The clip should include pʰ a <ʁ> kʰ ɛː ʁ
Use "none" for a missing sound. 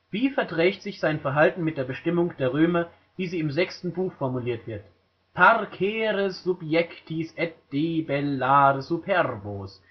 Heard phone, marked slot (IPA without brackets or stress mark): ʁ